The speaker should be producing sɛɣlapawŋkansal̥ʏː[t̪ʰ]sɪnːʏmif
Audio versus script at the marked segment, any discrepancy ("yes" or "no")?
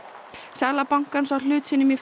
yes